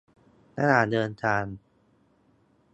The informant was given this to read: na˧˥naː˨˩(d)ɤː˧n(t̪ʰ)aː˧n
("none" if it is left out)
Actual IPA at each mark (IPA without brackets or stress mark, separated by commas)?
d, t̪ʰ